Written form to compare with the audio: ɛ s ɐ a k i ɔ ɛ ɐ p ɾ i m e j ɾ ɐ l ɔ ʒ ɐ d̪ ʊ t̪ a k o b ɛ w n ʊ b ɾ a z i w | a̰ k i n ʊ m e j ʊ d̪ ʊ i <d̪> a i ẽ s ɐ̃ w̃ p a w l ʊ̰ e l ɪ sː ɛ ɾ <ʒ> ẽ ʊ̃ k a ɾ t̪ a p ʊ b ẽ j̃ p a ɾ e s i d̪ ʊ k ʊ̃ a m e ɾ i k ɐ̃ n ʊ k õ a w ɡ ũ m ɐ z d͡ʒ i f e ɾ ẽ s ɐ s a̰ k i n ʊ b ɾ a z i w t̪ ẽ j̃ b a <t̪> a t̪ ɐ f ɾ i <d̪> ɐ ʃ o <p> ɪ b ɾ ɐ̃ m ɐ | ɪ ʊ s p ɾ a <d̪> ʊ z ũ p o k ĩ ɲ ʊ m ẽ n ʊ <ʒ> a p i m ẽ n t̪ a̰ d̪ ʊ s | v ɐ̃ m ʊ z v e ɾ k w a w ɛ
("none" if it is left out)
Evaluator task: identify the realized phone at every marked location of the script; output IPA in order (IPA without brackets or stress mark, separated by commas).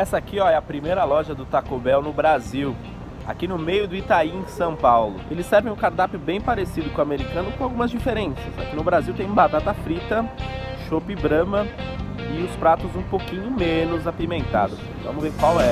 t̪, v, t̪, t̪, p, t̪, z